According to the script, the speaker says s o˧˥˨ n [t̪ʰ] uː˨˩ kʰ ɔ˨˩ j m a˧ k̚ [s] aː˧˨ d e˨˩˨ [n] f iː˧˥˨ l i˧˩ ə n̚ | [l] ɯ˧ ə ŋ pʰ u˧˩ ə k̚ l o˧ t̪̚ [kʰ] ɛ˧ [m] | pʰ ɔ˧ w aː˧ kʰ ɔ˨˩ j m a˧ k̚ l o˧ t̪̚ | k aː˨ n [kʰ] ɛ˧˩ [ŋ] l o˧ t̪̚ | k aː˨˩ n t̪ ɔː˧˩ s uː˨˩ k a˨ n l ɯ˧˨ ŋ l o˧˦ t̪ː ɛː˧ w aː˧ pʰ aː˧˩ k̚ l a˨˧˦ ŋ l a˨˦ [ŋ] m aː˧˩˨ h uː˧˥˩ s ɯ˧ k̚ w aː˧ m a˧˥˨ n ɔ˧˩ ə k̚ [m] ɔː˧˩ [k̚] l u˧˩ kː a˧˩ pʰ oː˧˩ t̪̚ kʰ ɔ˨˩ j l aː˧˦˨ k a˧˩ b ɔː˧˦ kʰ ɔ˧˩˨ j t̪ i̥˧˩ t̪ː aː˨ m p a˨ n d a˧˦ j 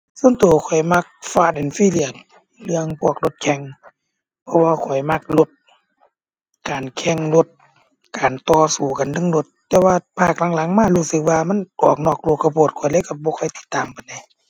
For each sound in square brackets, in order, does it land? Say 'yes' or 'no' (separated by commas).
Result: no, no, yes, yes, yes, no, yes, yes, yes, no, yes